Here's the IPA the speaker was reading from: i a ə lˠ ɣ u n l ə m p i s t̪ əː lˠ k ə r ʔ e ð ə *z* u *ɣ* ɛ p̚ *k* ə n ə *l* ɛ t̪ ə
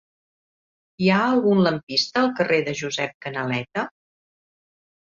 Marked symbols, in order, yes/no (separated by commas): no, no, yes, yes